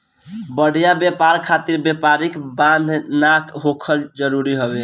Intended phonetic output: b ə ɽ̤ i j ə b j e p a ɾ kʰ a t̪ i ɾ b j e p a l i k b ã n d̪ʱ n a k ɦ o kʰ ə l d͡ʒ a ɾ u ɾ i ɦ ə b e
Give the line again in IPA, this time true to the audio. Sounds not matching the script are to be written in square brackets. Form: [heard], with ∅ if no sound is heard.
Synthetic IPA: b ə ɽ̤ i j [a] b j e p a ɾ kʰ a t̪ i ɾ b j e p a [ɾ] i k b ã n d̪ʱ n a k ɦ o kʰ ə l d͡ʒ [ə] ɾ u ɾ i ɦ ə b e